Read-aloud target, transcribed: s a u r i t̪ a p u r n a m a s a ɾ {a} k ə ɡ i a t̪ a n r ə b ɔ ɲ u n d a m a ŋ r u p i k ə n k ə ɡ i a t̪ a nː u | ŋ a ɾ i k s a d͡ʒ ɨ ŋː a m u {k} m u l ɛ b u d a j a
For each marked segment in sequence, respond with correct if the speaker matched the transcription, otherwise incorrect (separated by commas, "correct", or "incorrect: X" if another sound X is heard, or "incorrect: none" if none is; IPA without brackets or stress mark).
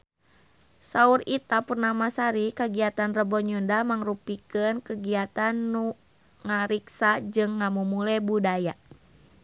incorrect: i, incorrect: none